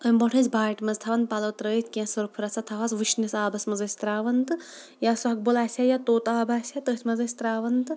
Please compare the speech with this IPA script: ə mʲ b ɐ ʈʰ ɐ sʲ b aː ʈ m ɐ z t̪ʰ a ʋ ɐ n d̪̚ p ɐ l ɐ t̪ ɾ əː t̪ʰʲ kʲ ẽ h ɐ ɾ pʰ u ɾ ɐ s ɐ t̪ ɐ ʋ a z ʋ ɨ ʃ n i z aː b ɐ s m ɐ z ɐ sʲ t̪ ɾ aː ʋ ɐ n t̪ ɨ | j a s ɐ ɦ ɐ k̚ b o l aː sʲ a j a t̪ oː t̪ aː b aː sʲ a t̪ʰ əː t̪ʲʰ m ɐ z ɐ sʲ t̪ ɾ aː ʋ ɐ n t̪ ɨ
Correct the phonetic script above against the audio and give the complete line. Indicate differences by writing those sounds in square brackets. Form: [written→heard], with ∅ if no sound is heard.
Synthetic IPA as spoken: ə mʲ b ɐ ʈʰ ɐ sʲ b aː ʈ m ɐ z t̪ʰ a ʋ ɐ n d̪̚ p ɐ l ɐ t̪ ɾ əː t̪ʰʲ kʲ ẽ [h→s] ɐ ɾ pʰ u ɾ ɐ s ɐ [t̪→t̪ʰ] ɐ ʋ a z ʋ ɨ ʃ n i [z→s] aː b ɐ s m ɐ z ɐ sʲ t̪ ɾ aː ʋ ɐ n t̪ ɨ | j a s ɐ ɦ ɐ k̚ b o l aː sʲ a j a t̪ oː t̪ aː b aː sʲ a [t̪ʰ→t̪] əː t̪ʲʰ m ɐ z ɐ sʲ t̪ ɾ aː ʋ ɐ n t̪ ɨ